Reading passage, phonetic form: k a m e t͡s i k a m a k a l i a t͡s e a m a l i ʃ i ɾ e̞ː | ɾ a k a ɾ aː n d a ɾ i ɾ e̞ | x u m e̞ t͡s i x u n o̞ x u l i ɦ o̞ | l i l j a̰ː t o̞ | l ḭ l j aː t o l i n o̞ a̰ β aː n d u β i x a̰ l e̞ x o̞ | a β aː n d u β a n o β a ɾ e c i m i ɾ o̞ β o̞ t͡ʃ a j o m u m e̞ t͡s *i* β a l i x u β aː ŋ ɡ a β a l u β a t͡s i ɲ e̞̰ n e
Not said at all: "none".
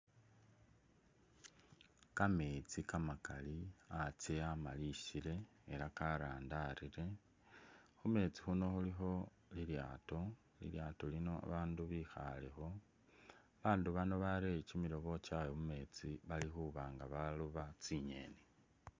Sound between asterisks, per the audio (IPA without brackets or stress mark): i